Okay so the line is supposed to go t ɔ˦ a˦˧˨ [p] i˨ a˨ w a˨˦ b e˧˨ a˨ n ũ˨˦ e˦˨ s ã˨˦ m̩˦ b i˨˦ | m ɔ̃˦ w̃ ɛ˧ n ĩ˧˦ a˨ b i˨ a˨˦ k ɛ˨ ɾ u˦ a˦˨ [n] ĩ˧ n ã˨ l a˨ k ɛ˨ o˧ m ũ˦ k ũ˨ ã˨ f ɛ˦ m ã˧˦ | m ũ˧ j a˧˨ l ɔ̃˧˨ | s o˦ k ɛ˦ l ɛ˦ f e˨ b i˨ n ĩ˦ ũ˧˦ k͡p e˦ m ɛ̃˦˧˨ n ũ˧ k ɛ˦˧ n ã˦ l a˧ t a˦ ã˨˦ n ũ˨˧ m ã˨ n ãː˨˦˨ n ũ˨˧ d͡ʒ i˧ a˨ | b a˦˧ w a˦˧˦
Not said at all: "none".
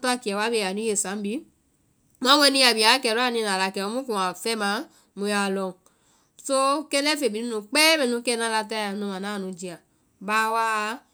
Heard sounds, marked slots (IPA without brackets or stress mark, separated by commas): k, n